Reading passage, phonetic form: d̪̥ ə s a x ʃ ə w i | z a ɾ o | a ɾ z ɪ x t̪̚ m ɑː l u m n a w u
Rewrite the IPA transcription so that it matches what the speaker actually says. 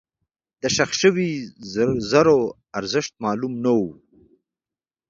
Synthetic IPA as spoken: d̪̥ ə ʃ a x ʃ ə w i | z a ɾ o | a ɾ z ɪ ʃ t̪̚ m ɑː l u m n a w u

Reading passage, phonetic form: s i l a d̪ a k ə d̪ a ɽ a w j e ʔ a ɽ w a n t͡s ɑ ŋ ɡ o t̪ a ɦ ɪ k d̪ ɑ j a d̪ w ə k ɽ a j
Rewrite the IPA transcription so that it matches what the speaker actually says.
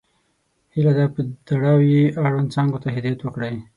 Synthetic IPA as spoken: h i l a d̪ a p ə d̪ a ɽ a w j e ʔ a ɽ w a n t͡s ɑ ŋ ɡ o t̪ a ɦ ɪ d̪ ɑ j a t̪ w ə k ɽ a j

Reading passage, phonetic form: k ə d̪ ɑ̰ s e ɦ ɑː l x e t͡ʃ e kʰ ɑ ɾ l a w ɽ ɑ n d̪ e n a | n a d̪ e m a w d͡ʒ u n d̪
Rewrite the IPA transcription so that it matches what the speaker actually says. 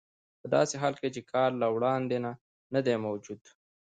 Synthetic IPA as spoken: p ə d̪ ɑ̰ s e ɦ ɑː l k e t͡ʃ e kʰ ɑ ɾ l a w ɽ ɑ n d̪ e n a | n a d̪ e m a w d͡ʒ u d̪

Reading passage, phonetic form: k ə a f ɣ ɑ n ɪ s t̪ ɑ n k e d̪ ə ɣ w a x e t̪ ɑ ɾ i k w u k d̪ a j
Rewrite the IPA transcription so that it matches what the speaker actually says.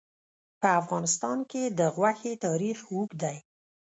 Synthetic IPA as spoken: p ə a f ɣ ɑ n ɪ s t̪ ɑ n k e d̪ ə ɣ w a x e t̪ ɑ ɾ i x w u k d̪ a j

